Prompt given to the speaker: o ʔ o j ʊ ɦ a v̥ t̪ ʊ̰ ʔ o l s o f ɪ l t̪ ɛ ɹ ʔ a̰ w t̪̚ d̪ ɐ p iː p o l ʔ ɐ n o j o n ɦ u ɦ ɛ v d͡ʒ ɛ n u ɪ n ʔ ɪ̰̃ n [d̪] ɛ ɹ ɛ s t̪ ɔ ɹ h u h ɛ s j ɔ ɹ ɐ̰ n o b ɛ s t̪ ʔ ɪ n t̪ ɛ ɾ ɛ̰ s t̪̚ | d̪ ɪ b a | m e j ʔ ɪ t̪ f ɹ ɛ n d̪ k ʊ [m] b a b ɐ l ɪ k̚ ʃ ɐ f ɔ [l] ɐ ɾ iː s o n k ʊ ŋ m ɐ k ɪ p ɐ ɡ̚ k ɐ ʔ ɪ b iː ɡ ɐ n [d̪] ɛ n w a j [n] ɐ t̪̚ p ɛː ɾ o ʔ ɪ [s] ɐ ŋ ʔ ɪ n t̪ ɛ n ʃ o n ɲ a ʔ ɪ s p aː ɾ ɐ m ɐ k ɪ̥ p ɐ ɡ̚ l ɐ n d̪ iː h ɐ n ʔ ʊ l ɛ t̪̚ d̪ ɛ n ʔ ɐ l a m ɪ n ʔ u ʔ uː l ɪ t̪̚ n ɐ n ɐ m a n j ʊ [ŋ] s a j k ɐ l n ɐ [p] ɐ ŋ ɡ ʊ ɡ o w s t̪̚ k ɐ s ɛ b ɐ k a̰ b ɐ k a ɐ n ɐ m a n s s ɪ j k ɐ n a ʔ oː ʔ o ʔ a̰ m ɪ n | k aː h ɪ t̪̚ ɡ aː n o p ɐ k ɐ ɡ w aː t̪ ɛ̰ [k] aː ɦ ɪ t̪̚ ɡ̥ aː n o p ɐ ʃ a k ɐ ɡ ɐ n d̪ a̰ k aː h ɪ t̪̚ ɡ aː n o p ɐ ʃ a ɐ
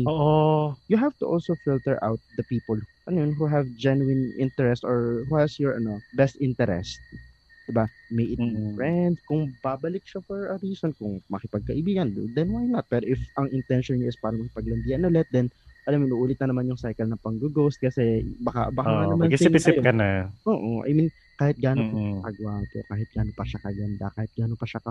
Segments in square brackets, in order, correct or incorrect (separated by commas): incorrect, incorrect, incorrect, correct, correct, incorrect, correct, correct, correct